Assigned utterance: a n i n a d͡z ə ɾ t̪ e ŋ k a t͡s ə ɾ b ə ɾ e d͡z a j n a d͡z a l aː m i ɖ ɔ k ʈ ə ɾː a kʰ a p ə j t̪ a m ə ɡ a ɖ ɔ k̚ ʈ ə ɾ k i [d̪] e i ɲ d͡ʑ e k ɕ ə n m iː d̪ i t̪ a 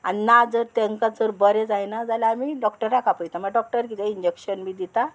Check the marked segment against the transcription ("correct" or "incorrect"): incorrect